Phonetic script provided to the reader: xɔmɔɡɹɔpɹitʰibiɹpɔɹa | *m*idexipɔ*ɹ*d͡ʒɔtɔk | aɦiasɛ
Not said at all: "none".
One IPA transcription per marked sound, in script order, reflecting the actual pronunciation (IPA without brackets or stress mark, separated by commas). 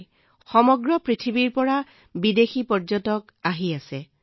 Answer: b, ɹ